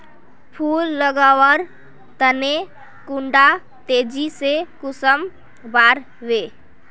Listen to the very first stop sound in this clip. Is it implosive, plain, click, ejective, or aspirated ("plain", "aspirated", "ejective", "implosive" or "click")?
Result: aspirated